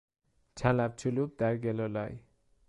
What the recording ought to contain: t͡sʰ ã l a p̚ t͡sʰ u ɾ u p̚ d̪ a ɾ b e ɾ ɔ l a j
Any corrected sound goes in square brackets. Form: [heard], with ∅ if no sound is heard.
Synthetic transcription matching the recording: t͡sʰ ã l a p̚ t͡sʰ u [l] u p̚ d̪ a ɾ [ɡ] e [l] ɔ l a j